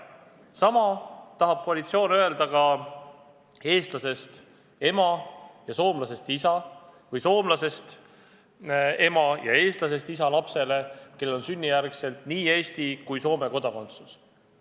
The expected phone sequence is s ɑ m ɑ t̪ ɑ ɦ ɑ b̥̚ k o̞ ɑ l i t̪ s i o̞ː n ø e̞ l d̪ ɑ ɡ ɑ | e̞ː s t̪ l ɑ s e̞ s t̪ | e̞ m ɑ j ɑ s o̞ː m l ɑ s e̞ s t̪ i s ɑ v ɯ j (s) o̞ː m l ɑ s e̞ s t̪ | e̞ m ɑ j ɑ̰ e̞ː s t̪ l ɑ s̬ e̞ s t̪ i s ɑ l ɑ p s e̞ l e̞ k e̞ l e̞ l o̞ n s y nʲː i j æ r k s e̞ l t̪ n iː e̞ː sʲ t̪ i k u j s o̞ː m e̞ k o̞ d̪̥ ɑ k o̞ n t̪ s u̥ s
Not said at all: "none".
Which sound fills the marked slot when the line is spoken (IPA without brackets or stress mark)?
s